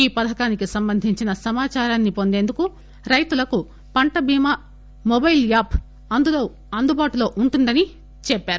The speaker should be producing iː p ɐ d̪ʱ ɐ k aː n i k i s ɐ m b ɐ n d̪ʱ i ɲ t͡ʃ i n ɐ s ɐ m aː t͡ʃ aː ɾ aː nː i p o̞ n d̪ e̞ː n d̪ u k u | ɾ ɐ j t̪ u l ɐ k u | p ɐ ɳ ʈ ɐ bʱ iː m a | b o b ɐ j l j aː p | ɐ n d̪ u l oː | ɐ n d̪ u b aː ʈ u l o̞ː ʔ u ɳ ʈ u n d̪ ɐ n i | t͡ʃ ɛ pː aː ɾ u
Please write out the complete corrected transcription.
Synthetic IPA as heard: iː p ɐ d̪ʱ ɐ k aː n i k i s ɐ m b ɐ n d̪ʱ i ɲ t͡ʃ i n ɐ s ɐ m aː t͡ʃ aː ɾ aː nː i p o̞ n d̪ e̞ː n d̪ u k u | ɾ ɐ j t̪ u l ɐ k u | p ɐ ɳ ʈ ɐ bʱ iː m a | m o b ɐ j l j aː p | ɐ n d̪ u l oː | ɐ n d̪ u b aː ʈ u l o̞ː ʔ u ɳ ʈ u n d̪ ɐ n i | t͡ʃ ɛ pː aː ɾ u

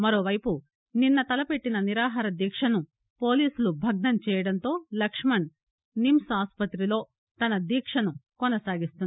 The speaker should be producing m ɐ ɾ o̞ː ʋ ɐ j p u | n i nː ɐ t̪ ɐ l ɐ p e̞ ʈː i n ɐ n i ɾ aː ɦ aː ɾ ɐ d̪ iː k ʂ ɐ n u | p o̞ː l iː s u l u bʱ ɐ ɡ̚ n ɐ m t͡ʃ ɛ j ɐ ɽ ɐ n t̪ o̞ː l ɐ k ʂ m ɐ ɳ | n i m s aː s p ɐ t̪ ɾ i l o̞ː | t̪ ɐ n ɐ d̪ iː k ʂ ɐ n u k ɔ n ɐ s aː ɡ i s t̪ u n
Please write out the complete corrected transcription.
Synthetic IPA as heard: m ɐ ɾ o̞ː ʋ ɐ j p u | n i nː ɐ t̪ ɐ l ɐ p e̞ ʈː i n ɐ n i ɾ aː ɦ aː ɾ ɐ d̪ iː k ʂ ɐ n u | p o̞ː l iː s u l u bʱ ɐ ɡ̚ n ɐ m t͡ʃ ɛː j ɐ ɽ ɐ n t̪ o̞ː l ɐ k ʂ m ɐ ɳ | n i m s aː s p ɐ t̪ ɾ i l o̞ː | t̪ ɐ n ɐ d̪ iː k ʂ ɐ n u k ɔ n ɐ s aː ɡ i s t̪ u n

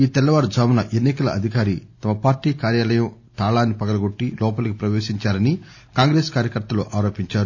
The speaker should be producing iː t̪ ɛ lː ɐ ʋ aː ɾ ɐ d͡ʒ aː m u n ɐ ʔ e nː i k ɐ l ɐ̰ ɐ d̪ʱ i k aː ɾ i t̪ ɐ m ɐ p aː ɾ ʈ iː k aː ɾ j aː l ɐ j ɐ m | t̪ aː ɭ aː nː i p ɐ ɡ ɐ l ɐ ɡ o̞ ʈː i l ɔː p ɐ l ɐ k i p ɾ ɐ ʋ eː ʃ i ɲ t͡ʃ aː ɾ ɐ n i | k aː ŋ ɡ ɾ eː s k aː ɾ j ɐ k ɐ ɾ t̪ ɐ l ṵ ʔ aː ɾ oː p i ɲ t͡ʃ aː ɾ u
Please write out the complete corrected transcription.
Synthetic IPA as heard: iː t̪ ɛ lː ɐ ʋ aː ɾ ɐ d͡ʒ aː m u n ɐ ʔ e nː i k ɐ l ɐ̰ ɐ d̪ʱ i k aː ɾ i t̪ ɐ m ɐ p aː ɾ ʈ iː k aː ɾ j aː l ɐ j ɐ m | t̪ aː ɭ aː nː i p ɐ ɡ ɐ l ɐ ɡ o̞ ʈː i l ɔː p ɐ l ɐ k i p ɾ ɐ ʋ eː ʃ i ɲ t͡ʃ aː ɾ ɐ n i | k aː ŋ ɡ ɾ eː s k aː ɾ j ɐ k ɐ ɾ t̪ ɐ l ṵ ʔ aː ɾ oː p i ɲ t͡ʃ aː ɾ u

